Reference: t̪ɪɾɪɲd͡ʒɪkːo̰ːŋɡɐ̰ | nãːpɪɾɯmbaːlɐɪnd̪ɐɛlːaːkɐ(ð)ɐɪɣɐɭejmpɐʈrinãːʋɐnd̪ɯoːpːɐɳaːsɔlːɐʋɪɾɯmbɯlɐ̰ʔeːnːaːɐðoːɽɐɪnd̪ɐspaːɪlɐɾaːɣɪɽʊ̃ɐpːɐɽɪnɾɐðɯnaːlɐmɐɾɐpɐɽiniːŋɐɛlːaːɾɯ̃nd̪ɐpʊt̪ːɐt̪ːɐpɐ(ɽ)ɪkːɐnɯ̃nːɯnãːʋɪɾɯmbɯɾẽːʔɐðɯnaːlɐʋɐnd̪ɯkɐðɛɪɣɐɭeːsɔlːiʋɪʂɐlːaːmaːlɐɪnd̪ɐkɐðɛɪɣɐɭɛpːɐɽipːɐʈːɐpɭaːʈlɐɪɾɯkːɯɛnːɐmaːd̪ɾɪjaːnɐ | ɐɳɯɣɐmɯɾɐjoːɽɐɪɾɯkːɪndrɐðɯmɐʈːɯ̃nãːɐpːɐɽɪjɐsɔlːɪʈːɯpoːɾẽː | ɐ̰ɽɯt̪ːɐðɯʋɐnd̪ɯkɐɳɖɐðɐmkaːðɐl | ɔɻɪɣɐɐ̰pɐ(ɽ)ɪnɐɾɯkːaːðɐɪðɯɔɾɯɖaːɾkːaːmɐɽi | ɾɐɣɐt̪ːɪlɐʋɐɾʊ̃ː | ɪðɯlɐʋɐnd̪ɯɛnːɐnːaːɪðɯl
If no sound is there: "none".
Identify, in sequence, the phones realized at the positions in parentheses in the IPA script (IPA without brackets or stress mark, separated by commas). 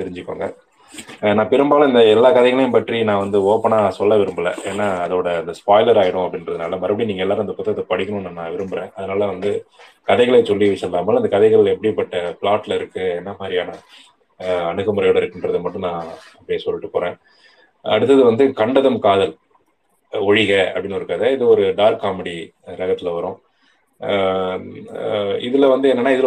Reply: ð, ɽ, ɽ